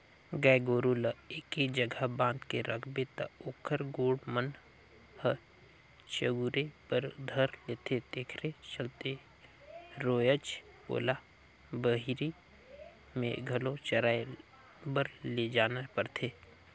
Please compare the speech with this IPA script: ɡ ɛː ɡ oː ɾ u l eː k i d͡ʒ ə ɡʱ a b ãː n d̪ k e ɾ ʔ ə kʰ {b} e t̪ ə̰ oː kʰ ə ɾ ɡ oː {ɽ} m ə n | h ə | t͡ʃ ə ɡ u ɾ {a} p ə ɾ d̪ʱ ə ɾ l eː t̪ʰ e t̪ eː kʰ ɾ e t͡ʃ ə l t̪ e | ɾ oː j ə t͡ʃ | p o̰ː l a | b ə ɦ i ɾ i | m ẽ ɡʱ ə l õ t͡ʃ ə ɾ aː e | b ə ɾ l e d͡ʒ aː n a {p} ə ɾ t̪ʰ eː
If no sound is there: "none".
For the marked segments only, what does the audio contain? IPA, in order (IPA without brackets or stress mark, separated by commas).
b, ɽ, e, p